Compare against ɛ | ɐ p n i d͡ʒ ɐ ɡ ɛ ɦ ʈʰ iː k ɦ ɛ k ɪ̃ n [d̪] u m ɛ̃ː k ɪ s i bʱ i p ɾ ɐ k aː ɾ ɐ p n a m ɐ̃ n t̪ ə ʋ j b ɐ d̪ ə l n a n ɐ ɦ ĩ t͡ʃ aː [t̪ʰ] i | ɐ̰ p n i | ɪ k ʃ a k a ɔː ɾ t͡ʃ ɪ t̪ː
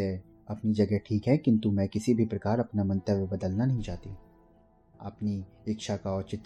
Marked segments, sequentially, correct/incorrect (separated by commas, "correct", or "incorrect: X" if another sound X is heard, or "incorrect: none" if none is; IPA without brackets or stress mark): incorrect: t̪, incorrect: t̪